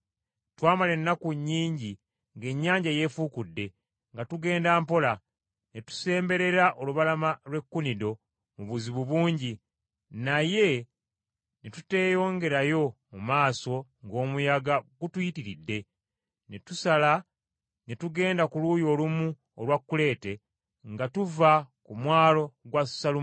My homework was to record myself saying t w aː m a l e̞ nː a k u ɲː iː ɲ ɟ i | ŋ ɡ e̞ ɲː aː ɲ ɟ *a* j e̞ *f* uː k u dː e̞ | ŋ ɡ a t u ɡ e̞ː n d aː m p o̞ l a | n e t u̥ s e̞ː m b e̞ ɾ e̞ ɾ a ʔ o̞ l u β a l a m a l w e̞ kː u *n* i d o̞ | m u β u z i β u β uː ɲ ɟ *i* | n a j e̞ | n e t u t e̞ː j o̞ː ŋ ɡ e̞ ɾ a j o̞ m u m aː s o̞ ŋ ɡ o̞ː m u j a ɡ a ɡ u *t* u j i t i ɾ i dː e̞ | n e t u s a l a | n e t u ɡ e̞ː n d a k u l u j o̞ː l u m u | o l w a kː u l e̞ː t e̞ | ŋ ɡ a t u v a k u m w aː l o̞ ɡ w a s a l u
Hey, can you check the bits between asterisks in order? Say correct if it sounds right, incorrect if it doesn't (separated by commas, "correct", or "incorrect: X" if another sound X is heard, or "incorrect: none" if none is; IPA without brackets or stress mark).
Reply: correct, correct, correct, correct, correct